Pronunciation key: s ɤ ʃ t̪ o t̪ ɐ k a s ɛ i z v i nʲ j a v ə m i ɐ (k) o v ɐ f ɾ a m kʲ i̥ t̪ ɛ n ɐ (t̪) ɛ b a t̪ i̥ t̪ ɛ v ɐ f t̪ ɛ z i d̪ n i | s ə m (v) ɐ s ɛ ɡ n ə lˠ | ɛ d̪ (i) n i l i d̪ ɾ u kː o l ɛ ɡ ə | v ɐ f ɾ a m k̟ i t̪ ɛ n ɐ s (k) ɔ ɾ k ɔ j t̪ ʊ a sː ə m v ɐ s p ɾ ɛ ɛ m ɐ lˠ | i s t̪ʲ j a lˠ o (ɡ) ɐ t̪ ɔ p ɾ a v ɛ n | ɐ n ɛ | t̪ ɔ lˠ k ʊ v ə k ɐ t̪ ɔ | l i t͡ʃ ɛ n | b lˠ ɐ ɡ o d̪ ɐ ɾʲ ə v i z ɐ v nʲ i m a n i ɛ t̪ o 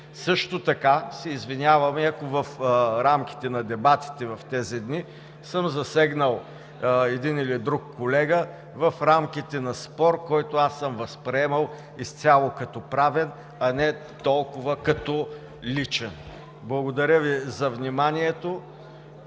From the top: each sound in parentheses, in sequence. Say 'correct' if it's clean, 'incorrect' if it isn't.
correct, incorrect: d̪, incorrect: z, correct, incorrect: p, incorrect: k

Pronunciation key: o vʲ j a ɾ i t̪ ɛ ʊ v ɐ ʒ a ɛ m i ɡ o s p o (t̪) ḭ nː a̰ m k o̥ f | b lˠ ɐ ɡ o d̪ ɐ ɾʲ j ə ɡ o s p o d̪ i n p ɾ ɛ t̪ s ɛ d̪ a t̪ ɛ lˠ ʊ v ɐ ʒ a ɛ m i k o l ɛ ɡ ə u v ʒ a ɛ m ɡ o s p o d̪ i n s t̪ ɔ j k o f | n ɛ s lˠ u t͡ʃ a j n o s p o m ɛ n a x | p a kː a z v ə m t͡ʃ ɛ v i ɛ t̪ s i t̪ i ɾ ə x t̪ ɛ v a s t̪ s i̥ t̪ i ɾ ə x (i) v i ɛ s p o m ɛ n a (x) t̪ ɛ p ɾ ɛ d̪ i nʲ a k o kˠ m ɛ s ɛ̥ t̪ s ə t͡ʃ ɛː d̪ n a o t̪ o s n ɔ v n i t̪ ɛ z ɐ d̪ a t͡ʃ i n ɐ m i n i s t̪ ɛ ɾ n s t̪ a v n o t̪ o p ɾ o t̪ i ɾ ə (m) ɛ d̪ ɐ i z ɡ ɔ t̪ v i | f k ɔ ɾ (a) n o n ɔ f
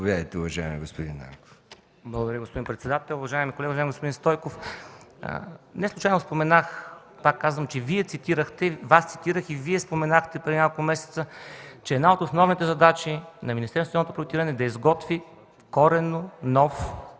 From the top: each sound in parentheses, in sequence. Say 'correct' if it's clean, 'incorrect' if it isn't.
incorrect: d̪, correct, correct, incorrect: n, incorrect: ɛ

